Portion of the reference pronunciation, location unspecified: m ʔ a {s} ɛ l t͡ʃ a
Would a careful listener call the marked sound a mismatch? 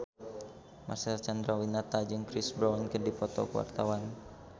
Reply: no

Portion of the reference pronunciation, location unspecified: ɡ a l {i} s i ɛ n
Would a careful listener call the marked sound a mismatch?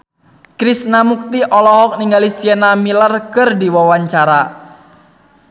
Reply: no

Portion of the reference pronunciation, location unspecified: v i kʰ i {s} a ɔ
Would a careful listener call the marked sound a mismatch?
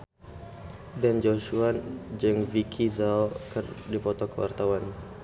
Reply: yes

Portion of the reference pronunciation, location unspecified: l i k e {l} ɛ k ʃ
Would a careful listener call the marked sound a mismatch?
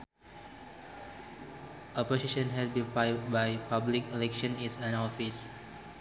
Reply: no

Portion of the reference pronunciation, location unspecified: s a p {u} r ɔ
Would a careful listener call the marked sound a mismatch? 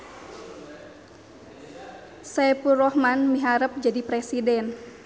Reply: no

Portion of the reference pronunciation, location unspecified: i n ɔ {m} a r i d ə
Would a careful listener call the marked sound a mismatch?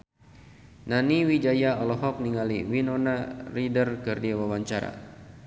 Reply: yes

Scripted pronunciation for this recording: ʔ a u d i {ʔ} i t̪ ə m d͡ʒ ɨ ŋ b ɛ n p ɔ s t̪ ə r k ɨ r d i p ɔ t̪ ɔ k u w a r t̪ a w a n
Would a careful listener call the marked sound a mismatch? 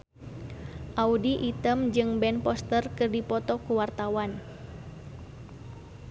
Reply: no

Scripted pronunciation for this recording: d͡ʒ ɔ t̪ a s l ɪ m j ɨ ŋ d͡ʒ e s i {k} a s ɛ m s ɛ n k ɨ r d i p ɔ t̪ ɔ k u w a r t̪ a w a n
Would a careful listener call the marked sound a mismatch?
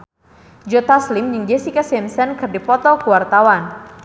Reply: no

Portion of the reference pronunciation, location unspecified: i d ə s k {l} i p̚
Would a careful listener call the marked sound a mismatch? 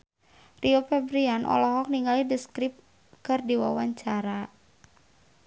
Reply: yes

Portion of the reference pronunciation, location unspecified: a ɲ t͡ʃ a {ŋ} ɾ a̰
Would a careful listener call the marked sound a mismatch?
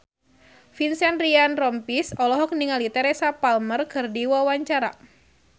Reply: yes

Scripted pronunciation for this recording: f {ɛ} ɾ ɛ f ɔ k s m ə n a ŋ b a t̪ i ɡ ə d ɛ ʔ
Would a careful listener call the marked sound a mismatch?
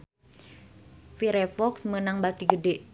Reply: yes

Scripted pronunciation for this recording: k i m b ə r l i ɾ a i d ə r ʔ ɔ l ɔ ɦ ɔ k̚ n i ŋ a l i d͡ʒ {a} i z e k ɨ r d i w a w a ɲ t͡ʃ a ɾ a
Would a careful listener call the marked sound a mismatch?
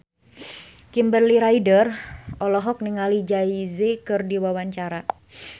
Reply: no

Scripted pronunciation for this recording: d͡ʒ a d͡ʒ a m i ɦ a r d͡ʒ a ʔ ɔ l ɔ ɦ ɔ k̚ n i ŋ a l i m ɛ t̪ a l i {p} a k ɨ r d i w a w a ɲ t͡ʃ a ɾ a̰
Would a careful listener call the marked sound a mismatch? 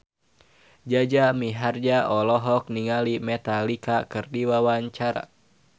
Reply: yes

